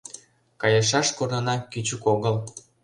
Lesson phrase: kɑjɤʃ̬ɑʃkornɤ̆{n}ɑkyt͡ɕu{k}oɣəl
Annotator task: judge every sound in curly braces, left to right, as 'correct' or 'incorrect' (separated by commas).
correct, correct